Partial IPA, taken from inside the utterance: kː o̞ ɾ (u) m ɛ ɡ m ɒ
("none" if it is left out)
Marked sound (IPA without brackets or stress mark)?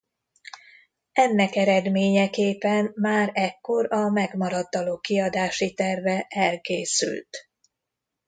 ɒ